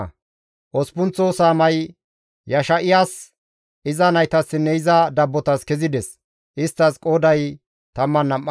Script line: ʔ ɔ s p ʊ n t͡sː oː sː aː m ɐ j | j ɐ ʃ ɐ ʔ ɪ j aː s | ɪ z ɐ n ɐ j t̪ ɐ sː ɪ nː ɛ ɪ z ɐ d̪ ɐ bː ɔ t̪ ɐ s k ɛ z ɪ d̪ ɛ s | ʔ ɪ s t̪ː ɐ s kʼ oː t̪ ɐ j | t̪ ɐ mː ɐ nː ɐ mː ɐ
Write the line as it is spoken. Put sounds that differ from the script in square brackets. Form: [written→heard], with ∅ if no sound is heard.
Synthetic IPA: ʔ ɔ s p ʊ n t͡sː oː [sː→s] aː m ɐ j | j ɐ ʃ ɐ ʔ ɪ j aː s | ɪ z ɐ n ɐ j t̪ ɐ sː ɪ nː ɛ ɪ z ɐ d̪ ɐ bː ɔ t̪ ɐ s k ɛ z ɪ d̪ ɛ s | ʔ ɪ s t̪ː ɐ s kʼ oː [t̪→d̪] ɐ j | t̪ ɐ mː ɐ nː ɐ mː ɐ